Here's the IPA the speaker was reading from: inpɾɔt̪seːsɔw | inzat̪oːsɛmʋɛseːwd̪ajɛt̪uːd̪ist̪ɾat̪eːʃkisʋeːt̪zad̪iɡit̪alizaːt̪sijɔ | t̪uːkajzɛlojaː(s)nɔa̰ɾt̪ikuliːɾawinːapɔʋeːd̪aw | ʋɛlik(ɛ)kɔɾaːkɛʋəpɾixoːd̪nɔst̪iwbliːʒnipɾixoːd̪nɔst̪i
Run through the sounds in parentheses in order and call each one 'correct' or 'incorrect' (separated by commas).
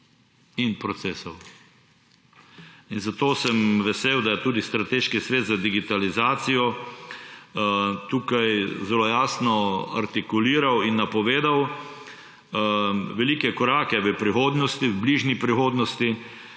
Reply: correct, correct